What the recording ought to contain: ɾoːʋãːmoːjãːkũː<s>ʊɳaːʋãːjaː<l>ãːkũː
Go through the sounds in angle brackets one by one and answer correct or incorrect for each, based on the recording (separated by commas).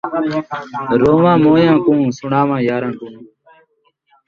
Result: correct, incorrect